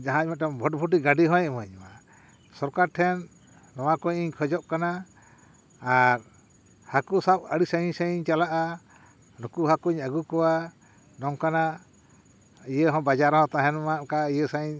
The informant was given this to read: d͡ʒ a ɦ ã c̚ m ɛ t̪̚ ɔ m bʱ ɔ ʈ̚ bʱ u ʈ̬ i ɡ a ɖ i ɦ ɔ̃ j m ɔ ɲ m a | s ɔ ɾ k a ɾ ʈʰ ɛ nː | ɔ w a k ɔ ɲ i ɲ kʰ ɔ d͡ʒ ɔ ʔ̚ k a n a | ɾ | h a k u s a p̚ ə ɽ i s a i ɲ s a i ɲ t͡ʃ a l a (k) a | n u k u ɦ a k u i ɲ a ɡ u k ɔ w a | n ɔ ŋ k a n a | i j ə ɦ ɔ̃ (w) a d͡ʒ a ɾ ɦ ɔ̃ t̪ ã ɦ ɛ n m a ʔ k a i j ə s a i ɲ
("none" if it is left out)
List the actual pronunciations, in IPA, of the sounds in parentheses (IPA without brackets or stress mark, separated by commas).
ʔ, b